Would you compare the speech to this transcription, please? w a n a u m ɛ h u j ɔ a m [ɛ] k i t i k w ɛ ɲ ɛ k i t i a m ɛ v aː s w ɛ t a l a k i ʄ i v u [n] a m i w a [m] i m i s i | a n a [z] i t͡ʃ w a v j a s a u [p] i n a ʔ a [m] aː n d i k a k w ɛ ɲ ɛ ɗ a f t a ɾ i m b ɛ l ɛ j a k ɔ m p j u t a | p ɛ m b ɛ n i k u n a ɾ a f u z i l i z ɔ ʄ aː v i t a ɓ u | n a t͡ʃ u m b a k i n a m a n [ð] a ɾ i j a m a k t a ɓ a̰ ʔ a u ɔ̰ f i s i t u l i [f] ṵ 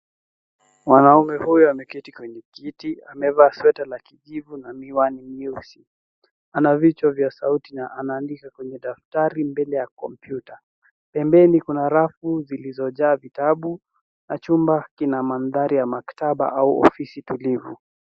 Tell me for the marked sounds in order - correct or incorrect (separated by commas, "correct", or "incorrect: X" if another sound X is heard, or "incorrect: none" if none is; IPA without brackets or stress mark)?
correct, correct, incorrect: n, incorrect: v, incorrect: t, incorrect: n, correct, incorrect: v